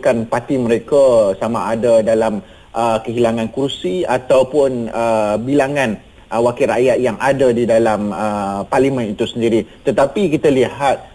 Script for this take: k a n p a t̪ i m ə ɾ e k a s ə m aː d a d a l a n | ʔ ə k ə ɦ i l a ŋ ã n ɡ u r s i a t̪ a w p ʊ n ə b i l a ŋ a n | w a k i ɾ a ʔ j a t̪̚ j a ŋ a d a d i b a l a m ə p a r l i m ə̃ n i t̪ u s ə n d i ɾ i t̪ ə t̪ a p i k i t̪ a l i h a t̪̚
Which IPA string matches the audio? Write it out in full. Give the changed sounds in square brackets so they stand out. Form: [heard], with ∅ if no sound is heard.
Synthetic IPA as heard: k a n p a t̪ i m ə ɾ e k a s [a] m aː d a d a l a [m] | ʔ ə k ə ɦ i l a ŋ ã n [k] u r s i a t̪ a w p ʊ n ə b i l a ŋ a n | w a k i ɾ a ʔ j a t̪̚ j a ŋ a d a d i [d] a l a m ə p a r l i m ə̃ n i t̪ u s ə n d i ɾ i t̪ ə t̪ a p i k i t̪ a l i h a t̪̚